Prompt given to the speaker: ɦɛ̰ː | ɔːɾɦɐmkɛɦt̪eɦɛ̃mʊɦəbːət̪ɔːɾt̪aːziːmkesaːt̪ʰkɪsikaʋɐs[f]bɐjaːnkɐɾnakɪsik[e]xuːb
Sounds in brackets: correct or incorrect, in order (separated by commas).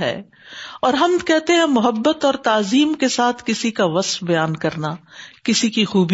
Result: correct, incorrect